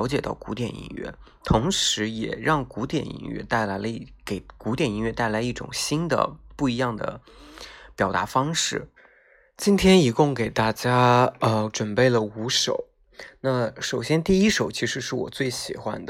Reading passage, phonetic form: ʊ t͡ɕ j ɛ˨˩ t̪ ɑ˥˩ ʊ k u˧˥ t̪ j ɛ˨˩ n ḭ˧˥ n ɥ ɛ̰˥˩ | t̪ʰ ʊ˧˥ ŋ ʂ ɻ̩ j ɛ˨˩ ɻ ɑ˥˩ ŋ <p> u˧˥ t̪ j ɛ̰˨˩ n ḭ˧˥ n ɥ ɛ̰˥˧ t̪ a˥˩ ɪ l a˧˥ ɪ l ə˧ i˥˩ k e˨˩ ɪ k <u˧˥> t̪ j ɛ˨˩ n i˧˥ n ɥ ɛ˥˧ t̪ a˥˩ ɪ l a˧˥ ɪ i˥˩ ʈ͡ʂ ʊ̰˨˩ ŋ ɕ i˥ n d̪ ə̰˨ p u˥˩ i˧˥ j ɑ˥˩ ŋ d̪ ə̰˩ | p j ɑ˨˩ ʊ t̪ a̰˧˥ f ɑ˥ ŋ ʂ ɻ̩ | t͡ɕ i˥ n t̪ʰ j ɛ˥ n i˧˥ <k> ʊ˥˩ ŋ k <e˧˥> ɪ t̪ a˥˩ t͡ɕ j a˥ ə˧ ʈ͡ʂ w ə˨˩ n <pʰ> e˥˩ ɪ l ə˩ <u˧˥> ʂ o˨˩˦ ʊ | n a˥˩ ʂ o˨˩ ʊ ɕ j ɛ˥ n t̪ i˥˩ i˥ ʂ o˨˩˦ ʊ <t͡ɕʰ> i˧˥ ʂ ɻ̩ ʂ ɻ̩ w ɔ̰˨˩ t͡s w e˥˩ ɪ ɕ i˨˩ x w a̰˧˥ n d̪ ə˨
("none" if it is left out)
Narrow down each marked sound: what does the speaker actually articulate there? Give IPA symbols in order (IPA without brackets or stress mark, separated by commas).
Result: k, u˧˥, k, e˨˩, p, u˧˥, t͡ɕʰ